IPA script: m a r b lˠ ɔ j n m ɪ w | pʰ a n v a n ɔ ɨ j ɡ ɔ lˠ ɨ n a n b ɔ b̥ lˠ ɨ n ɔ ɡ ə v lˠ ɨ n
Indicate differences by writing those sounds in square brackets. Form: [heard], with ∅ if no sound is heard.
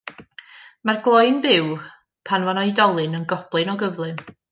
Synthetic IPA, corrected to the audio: m a r [ɡ] lˠ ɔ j n [b] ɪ w | pʰ a n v a n ɔ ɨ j [d] ɔ lˠ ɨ n [ə] n [ɡ] ɔ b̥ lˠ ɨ n ɔ ɡ ə v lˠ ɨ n